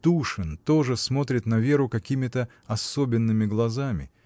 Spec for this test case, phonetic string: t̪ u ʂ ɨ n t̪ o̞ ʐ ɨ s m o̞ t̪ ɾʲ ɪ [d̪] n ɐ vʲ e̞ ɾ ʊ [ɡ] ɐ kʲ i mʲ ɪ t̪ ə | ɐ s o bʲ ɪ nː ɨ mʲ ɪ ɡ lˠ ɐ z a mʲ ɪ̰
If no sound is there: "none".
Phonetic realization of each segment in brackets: t̪, k

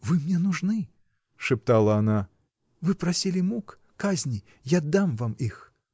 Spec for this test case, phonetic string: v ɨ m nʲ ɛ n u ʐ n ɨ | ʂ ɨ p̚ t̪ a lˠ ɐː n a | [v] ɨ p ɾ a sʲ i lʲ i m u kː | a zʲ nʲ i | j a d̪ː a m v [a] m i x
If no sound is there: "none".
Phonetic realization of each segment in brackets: v, a

